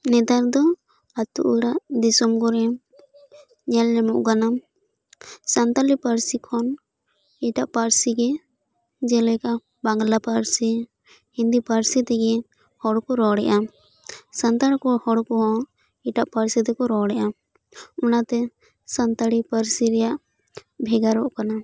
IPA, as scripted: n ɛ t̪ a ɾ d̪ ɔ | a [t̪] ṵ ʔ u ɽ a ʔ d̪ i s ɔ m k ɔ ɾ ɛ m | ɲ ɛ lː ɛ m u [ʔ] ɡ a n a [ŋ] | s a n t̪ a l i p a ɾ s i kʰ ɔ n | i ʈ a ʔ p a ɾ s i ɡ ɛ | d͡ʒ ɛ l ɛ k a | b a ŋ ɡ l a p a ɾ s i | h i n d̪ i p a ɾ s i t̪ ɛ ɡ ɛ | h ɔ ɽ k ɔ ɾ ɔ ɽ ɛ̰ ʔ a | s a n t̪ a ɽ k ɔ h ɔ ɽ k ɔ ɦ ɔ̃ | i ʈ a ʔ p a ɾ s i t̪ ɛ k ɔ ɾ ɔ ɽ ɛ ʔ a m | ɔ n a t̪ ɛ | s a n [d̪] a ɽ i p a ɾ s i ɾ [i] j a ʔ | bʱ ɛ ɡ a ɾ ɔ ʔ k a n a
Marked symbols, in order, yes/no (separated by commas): yes, yes, no, no, no